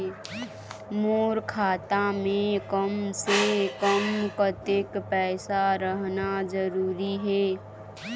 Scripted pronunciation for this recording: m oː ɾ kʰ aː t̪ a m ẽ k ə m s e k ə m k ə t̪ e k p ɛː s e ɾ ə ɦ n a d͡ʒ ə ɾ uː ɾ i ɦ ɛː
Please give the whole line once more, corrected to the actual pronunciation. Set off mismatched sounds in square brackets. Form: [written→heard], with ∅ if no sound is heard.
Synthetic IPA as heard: m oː ɾ kʰ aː t̪ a m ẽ k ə m s e k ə m k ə t̪ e k p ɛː s [e→a] ɾ ə ɦ n a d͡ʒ ə ɾ uː ɾ i ɦ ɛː